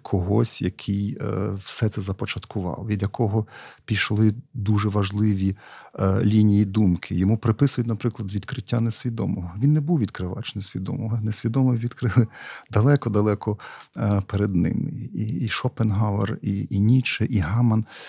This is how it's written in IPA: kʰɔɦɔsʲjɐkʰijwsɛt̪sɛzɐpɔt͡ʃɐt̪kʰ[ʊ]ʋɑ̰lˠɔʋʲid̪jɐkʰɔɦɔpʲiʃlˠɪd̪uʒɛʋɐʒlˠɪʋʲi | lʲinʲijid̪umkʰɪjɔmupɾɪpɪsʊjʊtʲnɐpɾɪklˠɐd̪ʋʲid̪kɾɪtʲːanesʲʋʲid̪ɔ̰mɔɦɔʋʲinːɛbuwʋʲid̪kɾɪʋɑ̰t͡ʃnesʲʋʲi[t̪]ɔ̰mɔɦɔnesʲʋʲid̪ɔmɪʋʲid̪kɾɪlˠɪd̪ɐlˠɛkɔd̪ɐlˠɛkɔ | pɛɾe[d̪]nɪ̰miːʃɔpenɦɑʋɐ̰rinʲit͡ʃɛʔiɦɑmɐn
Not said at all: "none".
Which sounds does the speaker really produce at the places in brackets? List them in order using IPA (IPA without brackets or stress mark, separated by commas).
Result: ʊ, d̪, d̪